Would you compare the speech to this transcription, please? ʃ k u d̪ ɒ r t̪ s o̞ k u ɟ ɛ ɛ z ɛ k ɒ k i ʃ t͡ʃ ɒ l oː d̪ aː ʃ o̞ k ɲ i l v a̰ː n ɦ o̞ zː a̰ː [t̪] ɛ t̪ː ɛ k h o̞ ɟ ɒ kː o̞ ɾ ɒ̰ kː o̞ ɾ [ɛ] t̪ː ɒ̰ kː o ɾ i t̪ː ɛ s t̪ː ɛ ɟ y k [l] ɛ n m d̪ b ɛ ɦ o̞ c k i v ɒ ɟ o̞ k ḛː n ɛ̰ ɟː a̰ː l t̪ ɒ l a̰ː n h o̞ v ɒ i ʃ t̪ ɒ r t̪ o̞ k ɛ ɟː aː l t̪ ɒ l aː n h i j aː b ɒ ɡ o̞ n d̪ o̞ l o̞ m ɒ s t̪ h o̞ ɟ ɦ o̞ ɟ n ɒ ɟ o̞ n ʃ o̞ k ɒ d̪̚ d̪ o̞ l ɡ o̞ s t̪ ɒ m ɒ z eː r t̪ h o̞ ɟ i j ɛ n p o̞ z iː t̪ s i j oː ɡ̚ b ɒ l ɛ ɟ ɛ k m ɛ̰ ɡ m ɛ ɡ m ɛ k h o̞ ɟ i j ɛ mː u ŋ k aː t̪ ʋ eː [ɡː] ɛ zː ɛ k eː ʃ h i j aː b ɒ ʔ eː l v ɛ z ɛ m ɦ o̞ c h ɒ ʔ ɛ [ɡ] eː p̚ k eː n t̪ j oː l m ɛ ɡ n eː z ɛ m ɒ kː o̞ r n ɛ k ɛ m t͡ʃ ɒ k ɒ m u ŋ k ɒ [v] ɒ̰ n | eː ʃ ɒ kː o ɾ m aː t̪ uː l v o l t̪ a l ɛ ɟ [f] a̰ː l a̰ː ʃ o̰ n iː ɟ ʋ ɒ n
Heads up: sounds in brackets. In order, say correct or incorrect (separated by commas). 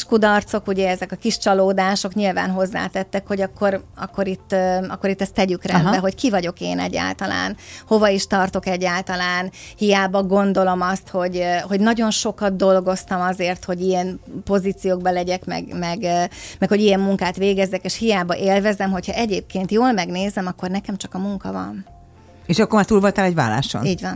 correct, incorrect, incorrect, incorrect, incorrect, correct, incorrect